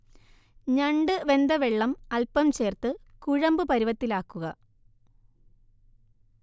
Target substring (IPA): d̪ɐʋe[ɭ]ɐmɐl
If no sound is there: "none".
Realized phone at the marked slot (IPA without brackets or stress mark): ɭː